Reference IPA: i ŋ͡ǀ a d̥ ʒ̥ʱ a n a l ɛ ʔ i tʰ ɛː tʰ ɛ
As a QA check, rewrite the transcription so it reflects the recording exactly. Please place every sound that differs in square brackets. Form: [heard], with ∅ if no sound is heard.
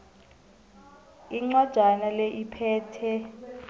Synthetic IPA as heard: i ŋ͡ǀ a d̥ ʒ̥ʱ a n a l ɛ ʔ i [pʰ] ɛː tʰ ɛ

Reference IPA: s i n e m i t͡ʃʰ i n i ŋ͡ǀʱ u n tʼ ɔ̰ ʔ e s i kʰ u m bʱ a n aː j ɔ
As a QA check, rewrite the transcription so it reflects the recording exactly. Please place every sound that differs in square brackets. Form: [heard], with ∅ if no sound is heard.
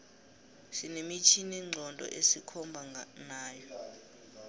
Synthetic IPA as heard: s i n e m i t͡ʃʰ i n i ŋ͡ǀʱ [ɔ] n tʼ ɔ̰ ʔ e s i kʰ [ɔ] m bʱ a n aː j ɔ

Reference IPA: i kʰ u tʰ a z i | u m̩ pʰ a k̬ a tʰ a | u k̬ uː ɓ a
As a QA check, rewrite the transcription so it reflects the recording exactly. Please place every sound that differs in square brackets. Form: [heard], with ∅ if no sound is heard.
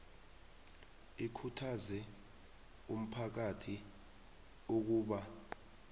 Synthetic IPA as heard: i kʰ u tʰ a z [ɛ] | u m̩ pʰ a k̬ a tʰ [i] | u k̬ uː ɓ a

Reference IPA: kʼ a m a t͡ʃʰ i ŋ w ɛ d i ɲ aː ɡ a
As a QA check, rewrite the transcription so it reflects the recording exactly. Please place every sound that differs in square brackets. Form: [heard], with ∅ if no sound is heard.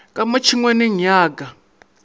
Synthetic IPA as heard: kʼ a m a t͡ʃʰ i ŋ w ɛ [n] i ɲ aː ɡ a

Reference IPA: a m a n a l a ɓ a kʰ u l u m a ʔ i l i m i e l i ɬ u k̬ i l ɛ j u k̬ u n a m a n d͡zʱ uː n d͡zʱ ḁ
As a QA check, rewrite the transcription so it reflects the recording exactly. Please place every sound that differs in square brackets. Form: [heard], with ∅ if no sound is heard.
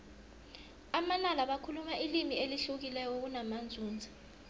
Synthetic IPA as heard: a m a n a l a ɓ a kʰ u l u m a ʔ i l i m i e l i ɬ u k̬ i l ɛ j [ɔ] k̬ u n a m a n d͡zʱ uː n d͡zʱ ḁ

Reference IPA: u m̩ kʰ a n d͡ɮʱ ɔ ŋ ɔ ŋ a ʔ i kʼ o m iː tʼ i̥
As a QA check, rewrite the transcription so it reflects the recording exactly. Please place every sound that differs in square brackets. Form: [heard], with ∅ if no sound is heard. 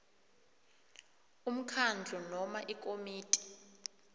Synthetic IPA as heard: u m̩ kʰ a n d͡ɮʱ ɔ [n] ɔ [m] a ʔ i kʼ o m iː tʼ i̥

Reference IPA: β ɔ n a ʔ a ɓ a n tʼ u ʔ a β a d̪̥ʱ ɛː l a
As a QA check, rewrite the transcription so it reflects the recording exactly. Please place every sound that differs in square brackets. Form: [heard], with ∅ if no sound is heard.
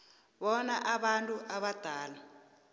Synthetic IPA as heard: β ɔ n a ʔ a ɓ a n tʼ u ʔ a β a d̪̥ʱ [aː] l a

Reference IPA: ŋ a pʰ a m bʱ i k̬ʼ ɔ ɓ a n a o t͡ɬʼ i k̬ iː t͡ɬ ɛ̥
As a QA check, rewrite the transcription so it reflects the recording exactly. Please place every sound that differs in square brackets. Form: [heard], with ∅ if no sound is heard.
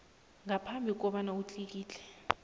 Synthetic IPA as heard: ŋ a pʰ a m bʱ i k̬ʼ ɔ ɓ a n a [u] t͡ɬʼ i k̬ iː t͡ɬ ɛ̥

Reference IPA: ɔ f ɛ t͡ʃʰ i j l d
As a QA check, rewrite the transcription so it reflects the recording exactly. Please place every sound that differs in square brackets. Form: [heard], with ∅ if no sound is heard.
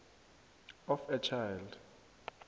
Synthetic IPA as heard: ɔ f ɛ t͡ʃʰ [a] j l d

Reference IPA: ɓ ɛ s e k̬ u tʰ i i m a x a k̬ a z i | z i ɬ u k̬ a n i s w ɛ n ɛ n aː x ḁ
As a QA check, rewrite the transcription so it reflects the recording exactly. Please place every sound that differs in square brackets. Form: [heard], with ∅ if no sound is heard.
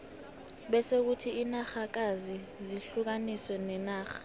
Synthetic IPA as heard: ɓ ɛ s e k̬ u tʰ i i [n] a x a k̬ a z i | z i ɬ u k̬ a n i s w ɛ n ɛ n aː x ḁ

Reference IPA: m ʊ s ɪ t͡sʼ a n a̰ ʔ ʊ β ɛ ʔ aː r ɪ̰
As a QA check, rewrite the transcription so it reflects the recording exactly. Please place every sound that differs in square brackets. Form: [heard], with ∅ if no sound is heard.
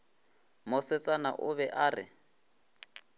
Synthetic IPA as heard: m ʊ s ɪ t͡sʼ a n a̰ ʔ ʊ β ɛ ʔ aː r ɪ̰

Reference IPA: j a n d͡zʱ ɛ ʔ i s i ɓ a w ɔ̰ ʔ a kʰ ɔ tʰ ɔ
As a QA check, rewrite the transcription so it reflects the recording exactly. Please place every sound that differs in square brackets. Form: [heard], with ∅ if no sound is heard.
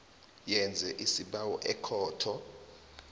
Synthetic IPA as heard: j [ɛ] n d͡zʱ ɛ ʔ i s i ɓ a w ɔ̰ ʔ [ɛ] kʰ [ɔː] tʰ ɔ

